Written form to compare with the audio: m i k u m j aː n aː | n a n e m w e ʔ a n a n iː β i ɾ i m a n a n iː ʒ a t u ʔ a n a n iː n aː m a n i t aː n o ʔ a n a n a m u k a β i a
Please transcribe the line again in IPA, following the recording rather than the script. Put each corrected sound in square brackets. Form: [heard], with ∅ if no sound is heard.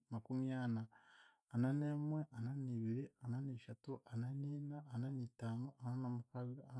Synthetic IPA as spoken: m [a] k u m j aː n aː | n a n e m w e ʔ a n a n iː β i ɾ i [∅] a n a n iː [ʃ] a t u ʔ a n a n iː n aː [n] a n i t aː n o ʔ a n a n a m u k a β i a